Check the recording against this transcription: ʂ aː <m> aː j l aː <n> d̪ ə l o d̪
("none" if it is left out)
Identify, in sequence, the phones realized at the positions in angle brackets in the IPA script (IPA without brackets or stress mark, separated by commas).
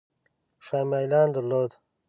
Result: m, n